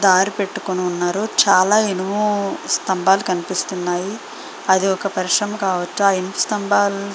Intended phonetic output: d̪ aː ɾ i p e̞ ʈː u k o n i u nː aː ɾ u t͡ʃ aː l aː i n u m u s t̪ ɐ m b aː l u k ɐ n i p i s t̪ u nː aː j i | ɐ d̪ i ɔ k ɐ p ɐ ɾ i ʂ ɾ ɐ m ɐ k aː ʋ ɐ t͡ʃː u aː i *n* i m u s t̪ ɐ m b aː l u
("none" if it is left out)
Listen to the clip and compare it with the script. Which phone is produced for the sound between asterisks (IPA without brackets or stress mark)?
n